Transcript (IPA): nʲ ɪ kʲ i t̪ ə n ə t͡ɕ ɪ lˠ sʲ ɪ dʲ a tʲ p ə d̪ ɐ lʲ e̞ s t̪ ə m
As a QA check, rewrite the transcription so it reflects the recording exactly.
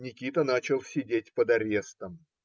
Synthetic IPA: nʲ ɪ kʲ i t̪ ə n a t͡ɕ ɪ lˠ sʲ ɪ dʲ e tʲ p ə d̪ ɐ ɾʲ e̞ s t̪ ə m

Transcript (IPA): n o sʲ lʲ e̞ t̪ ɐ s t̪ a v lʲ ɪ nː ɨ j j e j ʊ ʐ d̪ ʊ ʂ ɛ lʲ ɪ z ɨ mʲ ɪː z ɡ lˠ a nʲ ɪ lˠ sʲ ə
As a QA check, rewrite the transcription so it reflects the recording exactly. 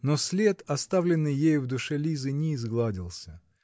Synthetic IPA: n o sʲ lʲ e̞ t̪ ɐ s t̪ a v lʲ ɪ nː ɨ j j e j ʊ v d̪ ʊ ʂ ɛ lʲ i z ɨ nʲ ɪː z ɡ lˠ a dʲ ɪ lˠ sʲ ə

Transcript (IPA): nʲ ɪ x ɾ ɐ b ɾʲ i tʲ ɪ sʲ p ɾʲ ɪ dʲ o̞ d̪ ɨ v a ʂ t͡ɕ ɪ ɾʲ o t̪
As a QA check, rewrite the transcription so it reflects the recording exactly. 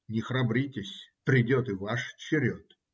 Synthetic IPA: nʲ ɪ x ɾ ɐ b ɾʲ i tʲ ɪ sʲ p ɾʲ ɪ dʲ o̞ t̪ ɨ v a ʂ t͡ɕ ɪ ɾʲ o t̪

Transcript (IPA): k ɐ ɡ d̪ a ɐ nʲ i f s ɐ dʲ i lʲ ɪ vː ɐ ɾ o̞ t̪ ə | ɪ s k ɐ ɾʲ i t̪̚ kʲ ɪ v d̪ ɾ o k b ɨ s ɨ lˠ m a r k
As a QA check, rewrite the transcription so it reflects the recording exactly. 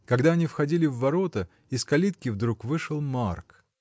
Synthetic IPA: k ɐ ɡ d̪ a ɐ nʲ i f x ɐ dʲ i lʲ ɪ vː ɐ ɾ o̞ t̪ ə | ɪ s k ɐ lʲ i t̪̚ kʲ ɪ v d̪ ɾ u k v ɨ ʂ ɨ lˠ m a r k

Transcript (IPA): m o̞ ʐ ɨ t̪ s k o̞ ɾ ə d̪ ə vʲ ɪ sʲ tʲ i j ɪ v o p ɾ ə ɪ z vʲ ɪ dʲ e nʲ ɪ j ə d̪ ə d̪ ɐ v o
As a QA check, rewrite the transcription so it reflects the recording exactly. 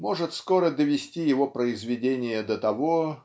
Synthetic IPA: m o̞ ʐ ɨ t̪ s k o̞ ɾ ə d̪ ə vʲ ɪ sʲ tʲ i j ɪ v o p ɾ ə ɪ z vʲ ɪ dʲ e nʲ ɪ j ə d̪ ə t̪ ɐ v o

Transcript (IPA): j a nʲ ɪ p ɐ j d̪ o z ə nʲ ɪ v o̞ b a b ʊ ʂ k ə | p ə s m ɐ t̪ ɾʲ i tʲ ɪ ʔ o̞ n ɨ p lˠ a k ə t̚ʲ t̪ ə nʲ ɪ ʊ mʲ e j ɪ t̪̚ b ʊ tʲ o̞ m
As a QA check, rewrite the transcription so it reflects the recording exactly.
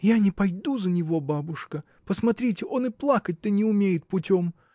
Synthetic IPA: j a nʲ ɪ p ɐ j d̪ u z ə nʲ ɪ v o̞ b a b ʊ ʂ k ə | p ə s m ɐ t̪ ɾʲ i tʲ ɪ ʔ o̞ n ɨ p lˠ a k ə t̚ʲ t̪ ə nʲ ɪ ʊ mʲ e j ɪ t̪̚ p ʊ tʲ o̞ m

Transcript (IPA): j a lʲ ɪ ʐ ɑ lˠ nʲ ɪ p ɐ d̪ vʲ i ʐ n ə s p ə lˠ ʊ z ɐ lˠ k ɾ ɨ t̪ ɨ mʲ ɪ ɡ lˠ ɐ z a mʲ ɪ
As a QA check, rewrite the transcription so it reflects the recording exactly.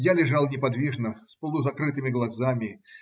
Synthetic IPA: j a lʲ ɪ ʐ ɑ lˠ nʲ ɪ p ɐ d̪ vʲ i ʐ n ə s p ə lˠ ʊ z ɐ k ɾ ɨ t̪ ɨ mʲ ɪ ɡ lˠ ɐ z a mʲ ɪ

